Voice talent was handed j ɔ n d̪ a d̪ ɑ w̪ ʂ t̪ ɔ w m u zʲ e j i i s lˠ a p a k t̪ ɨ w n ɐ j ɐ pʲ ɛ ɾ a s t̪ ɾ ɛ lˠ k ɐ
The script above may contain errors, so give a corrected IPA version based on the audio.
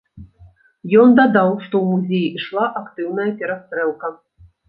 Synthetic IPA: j ɔ n d̪ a d̪ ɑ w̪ ʂ t̪ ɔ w m u zʲ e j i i ʂ lˠ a ʔ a k t̪ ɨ w n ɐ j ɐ pʲ ɛ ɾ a s t̪ ɾ ɛ lˠ k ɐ